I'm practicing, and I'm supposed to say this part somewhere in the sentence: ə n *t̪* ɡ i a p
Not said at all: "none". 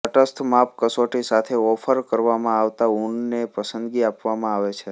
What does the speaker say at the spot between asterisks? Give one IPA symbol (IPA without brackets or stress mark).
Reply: d̪